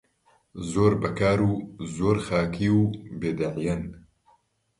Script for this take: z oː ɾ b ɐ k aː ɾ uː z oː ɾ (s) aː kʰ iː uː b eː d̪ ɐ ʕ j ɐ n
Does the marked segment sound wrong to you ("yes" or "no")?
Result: yes